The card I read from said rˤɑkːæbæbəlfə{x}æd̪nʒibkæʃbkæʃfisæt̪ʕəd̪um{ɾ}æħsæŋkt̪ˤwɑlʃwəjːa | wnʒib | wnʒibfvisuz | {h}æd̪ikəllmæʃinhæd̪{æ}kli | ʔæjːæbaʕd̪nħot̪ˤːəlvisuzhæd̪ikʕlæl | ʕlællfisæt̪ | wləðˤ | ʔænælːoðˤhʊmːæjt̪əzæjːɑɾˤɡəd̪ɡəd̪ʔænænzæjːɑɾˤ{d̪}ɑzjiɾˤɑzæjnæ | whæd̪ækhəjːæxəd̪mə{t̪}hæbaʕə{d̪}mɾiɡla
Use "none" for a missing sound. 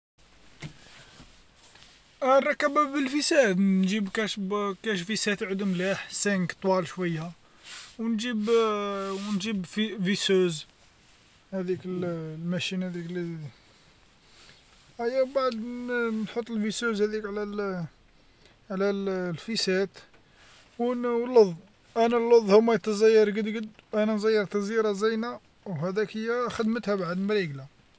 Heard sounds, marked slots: s, l, h, i, t̪, t̪, d̪

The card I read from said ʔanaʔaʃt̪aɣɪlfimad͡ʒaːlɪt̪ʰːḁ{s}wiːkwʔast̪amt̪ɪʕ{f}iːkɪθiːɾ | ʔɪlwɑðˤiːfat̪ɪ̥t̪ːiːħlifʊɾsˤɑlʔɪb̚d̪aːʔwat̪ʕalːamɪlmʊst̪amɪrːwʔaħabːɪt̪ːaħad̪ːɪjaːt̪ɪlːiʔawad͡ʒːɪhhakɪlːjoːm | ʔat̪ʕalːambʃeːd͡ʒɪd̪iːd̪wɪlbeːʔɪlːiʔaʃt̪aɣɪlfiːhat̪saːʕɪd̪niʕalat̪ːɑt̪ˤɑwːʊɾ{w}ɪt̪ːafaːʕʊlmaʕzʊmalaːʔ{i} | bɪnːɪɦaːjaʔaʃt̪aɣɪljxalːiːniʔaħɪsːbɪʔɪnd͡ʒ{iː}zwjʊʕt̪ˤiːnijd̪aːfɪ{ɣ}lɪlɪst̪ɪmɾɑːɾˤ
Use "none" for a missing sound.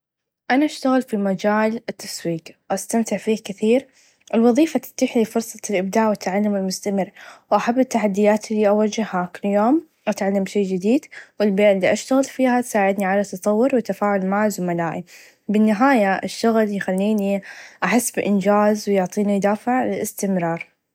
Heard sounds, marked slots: s, f, w, i, aː, ʕ

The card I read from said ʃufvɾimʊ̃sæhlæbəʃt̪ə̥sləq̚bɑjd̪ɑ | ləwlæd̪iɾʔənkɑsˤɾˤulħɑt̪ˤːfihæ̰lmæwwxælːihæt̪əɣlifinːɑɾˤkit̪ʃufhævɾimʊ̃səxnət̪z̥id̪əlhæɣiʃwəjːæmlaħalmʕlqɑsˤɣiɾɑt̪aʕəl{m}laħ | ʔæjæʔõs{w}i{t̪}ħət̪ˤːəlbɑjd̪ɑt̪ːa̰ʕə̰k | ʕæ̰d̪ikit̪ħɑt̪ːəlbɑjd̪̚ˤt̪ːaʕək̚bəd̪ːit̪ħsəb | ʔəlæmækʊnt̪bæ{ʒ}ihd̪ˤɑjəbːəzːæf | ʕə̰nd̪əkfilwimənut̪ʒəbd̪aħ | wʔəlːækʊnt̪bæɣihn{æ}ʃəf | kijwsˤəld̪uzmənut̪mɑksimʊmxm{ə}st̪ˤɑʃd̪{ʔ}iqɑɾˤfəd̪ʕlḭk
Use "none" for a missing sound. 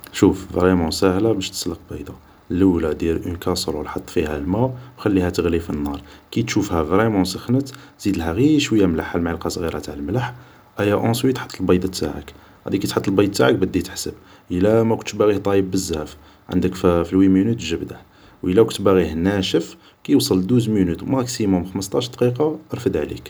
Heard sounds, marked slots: m, w, t̪, ɣ, æ, ə, q

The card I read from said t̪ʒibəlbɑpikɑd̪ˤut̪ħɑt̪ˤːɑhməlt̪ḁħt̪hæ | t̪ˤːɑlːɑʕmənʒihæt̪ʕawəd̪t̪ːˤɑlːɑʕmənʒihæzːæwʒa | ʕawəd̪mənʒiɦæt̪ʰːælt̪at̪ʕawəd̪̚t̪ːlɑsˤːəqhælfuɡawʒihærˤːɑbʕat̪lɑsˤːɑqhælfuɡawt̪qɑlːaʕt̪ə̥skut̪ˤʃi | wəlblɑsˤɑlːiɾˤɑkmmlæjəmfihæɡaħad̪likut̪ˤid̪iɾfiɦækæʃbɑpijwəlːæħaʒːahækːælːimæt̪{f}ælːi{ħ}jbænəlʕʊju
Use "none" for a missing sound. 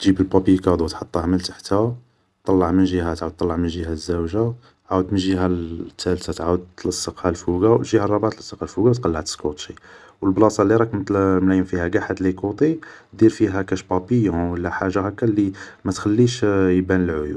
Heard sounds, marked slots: x, ʃ

